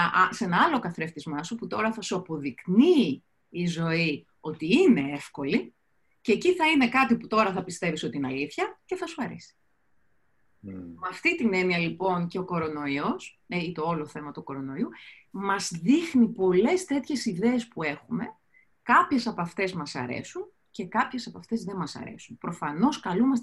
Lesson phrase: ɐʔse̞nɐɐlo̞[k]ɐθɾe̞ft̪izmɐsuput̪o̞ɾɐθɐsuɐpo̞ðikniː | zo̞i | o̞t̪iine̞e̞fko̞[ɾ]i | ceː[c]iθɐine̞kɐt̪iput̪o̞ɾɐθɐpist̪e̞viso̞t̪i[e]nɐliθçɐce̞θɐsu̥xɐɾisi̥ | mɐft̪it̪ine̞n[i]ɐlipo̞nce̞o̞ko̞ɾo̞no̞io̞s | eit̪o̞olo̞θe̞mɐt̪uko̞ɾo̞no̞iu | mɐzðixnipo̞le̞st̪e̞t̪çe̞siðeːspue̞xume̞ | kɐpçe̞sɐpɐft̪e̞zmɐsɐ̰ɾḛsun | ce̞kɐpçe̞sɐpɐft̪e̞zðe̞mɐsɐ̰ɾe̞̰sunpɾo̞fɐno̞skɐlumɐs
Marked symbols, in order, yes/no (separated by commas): yes, no, yes, no, yes